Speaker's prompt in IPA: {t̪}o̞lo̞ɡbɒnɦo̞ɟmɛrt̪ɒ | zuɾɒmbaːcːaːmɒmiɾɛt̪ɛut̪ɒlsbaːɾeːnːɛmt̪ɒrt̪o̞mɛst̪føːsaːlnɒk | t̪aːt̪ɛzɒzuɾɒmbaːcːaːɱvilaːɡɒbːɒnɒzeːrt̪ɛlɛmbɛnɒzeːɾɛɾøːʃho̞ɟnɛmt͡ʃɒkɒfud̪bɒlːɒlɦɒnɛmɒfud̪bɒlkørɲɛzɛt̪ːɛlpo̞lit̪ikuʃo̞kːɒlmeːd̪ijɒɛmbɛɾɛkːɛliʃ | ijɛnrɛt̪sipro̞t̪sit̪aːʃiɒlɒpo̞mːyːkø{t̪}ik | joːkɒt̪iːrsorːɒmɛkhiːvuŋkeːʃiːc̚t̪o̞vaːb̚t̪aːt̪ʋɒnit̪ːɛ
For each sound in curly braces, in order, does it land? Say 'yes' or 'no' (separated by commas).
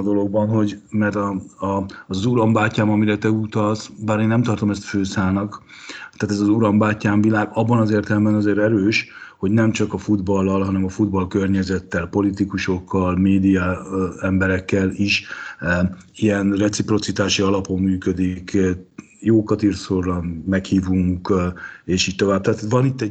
no, no